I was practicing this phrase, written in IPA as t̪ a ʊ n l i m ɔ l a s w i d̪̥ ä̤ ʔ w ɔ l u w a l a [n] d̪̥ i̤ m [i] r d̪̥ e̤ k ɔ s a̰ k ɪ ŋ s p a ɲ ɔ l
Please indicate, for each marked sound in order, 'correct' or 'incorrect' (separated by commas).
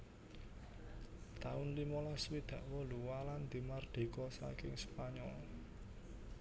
correct, incorrect